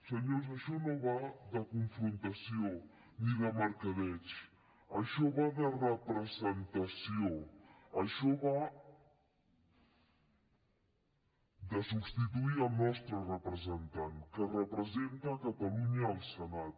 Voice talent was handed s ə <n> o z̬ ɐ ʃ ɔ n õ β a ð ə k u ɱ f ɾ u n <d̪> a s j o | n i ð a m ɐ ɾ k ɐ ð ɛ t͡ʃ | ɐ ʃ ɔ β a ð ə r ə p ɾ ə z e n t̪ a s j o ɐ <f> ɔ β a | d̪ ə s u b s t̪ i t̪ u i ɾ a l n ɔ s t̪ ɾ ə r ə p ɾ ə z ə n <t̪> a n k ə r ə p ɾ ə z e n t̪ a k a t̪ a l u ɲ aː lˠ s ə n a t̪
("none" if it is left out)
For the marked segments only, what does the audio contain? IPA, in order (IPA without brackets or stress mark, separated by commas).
ɲ, t̪, ʃ, t̪